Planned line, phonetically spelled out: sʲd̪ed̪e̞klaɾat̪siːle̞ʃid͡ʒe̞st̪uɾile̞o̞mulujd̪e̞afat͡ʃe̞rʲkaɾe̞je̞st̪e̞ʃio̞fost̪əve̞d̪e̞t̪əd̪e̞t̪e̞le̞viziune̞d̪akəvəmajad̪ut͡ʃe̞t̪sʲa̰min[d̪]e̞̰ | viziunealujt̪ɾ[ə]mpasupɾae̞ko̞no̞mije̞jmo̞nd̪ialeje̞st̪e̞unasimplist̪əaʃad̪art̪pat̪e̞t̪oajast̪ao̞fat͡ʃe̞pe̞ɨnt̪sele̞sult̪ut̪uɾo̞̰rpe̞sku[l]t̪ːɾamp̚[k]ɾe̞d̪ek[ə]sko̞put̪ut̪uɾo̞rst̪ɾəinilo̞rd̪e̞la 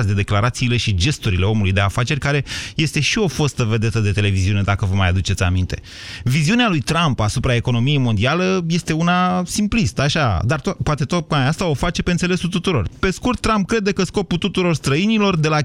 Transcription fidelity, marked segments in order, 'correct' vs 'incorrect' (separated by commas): incorrect, incorrect, incorrect, correct, correct